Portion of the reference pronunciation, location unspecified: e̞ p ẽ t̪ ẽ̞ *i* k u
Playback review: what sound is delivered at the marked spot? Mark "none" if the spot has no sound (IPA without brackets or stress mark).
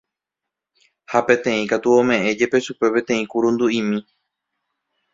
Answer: ĩ